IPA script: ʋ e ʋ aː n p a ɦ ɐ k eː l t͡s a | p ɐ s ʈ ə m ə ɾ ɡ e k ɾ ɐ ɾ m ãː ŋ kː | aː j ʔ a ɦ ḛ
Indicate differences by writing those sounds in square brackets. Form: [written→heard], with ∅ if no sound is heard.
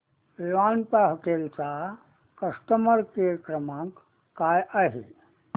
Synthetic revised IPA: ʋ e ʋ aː n p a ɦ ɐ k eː l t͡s a | [p→k] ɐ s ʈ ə m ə ɾ [ɡ→k] e k ɾ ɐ [ɾ→∅] m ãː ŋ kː | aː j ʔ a ɦ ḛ